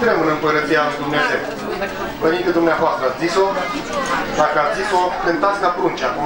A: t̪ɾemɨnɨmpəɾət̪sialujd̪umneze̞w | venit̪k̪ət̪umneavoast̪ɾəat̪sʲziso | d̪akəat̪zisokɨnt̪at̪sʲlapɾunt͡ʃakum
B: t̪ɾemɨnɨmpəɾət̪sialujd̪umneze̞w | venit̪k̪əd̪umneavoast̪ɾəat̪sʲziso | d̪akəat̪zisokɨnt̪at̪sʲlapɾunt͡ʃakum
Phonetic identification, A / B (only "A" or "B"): B